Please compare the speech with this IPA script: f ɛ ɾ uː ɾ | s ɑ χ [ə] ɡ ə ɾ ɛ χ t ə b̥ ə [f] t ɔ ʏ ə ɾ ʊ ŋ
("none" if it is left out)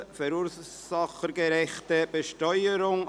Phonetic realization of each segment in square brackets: ə, ʃ

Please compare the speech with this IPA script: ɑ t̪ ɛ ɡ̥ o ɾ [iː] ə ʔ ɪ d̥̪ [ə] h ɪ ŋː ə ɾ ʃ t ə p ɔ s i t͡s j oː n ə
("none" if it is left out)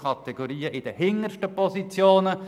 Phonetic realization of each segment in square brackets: iː, ə

